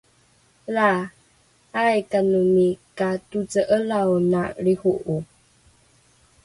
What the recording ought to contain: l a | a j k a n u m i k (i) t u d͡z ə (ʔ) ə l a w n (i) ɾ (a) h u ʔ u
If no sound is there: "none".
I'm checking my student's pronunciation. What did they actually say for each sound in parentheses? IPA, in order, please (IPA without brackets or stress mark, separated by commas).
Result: a, ʔ, a, i